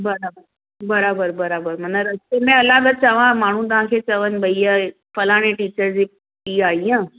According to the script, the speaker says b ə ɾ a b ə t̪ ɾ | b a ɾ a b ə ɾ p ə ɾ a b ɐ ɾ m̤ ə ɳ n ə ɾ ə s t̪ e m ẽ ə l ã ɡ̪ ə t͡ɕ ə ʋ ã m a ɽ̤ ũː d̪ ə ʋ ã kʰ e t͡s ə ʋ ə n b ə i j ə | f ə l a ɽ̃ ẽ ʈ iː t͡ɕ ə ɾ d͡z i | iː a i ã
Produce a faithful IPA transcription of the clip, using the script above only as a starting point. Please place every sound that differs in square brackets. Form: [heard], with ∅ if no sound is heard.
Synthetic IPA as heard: b ə ɾ a b ə [∅] ɾ | b [ə] ɾ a b ə ɾ [b] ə ɾ a b [ə] ɾ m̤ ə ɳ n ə ɾ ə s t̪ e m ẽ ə l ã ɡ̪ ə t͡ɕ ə ʋ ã m a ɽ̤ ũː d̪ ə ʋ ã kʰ e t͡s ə ʋ ə n b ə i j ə | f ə l a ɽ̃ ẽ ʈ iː t͡ɕ ə ɾ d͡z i | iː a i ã